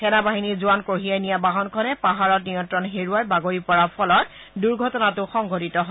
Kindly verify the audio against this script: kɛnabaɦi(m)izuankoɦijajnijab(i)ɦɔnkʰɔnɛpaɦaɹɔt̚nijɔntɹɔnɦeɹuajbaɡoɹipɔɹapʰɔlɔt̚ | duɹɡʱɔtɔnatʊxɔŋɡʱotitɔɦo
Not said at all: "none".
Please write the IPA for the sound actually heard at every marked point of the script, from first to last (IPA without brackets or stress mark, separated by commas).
n, a